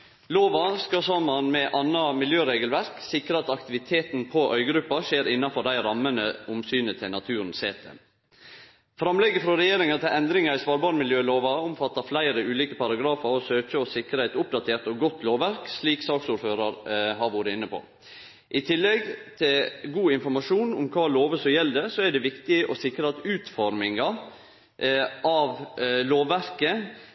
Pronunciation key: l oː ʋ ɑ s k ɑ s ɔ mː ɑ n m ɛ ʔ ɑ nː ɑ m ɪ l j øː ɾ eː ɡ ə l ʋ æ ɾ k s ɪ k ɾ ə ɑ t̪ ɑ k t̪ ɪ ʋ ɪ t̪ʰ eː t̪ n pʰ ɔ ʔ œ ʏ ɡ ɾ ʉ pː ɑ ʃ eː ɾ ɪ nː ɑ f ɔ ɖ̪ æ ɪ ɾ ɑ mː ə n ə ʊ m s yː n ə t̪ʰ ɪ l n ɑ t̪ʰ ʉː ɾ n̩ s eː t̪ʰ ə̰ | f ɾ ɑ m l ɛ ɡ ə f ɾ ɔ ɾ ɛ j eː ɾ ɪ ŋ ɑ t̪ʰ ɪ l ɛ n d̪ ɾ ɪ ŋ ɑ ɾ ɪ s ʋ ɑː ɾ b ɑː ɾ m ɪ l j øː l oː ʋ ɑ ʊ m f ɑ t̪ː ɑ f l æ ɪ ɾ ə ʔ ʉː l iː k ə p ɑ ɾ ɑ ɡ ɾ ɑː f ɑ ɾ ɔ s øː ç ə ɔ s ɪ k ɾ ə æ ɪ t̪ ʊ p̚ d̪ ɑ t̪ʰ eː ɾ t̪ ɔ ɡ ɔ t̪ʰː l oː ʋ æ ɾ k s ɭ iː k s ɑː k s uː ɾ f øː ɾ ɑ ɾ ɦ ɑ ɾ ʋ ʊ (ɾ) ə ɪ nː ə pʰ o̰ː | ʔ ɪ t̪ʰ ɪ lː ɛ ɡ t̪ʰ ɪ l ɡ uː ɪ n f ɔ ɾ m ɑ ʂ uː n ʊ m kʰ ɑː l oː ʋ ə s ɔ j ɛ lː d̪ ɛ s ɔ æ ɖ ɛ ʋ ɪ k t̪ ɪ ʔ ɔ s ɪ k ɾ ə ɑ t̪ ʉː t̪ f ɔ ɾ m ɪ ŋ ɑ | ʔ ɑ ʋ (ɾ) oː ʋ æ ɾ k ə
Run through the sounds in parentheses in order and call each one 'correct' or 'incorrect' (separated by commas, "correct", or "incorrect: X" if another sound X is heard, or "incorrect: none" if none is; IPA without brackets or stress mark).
correct, incorrect: l